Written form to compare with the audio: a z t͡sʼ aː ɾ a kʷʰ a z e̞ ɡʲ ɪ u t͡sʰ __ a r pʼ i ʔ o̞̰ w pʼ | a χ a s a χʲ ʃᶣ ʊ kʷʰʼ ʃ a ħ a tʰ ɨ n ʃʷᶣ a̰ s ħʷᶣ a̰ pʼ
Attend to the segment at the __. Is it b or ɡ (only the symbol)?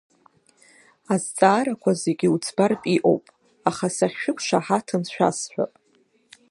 b